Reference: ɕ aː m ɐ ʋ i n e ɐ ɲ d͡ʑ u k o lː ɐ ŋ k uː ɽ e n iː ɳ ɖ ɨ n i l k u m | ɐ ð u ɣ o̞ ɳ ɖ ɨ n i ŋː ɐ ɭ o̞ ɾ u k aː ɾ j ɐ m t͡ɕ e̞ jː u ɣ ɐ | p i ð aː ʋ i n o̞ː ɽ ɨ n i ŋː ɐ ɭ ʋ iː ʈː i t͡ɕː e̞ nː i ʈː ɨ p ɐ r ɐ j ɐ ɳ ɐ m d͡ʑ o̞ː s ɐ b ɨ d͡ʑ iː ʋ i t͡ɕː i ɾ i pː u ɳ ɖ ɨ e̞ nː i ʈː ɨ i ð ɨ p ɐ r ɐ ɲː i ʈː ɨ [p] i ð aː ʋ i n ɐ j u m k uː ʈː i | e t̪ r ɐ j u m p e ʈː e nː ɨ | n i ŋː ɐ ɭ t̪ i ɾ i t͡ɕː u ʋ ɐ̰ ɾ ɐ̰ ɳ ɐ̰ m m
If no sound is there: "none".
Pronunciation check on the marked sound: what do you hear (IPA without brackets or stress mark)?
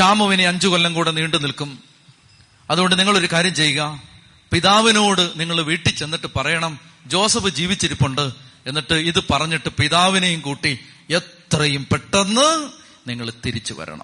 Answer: p